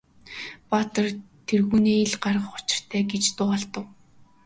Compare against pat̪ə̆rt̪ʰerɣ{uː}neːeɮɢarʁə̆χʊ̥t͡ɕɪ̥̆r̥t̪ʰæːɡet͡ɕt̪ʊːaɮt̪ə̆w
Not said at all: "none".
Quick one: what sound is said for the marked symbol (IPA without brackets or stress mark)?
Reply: uː